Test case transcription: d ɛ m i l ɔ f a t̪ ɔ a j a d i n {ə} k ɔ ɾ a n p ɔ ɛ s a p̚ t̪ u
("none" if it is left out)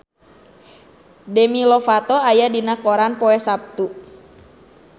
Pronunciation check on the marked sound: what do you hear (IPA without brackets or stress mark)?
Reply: a